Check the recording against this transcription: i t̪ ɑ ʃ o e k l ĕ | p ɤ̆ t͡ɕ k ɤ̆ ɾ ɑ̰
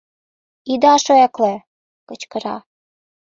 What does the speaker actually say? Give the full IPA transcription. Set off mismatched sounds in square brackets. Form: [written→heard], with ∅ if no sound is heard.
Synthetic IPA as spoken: i [t̪→d̪] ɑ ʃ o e k l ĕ | [p→k] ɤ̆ t͡ɕ k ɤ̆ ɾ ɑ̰